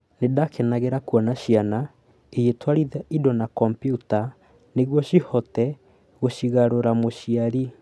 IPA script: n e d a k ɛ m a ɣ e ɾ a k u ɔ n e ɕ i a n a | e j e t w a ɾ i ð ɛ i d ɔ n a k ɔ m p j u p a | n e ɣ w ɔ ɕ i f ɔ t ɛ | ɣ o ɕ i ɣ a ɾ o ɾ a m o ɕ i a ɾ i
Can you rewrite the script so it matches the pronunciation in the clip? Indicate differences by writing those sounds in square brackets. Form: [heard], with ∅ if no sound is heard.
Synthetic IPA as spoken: n e d a k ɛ [n] a ɣ e ɾ a k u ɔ n [a] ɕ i a n a | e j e t w a ɾ i ð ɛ i d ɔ n a k ɔ m p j u [t] a | n e ɣ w ɔ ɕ i [h] ɔ t ɛ | ɣ o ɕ i ɣ a ɾ o ɾ a m o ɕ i a ɾ i